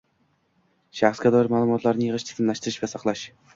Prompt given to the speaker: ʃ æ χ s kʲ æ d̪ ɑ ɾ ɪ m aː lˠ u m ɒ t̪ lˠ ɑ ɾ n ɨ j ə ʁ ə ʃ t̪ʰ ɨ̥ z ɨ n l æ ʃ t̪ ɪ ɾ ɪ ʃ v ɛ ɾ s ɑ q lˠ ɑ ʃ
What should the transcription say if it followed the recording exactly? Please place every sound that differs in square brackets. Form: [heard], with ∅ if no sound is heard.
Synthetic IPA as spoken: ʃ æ χ s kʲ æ d̪ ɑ ɾ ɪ m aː lˠ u m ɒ t̪ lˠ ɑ ɾ n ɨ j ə ʁ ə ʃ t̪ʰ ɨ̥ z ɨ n l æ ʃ t̪ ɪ ɾ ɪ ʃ v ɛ [∅] s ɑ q lˠ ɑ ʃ